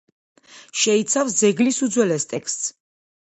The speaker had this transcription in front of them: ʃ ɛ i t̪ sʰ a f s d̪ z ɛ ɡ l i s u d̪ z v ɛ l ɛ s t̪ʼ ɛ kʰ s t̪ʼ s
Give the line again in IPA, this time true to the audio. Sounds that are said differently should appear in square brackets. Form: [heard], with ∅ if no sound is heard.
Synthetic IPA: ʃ ɛ i t̪ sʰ a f s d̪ z ɛ ɡ l i s u d̪ z [w] ɛ l ɛ s t̪ʼ ɛ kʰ s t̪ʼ s